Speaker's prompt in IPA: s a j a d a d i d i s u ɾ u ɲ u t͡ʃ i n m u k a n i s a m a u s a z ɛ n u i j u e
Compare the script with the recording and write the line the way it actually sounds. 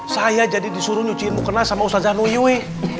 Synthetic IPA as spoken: s a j a d͡ʒ a d i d i s u ɾ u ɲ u t͡ʃ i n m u k ə n a s a m a u s a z a n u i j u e